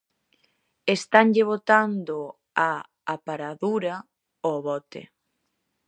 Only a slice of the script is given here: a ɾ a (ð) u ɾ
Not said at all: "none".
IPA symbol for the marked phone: ð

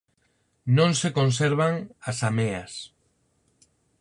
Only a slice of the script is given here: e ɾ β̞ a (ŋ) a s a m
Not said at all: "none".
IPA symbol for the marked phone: ŋ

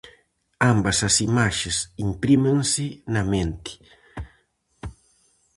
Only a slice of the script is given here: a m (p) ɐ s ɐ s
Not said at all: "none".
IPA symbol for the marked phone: b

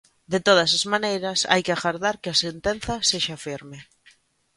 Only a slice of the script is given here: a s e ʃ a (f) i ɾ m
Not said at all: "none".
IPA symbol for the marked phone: f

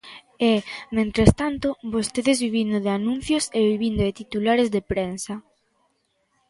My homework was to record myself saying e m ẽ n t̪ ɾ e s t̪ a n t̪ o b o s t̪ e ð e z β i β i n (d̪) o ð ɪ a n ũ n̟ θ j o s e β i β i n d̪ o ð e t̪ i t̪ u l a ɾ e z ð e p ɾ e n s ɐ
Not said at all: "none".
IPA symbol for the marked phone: d̪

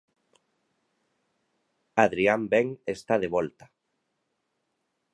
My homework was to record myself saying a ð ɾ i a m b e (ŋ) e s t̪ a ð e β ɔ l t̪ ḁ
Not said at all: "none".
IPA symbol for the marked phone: ŋ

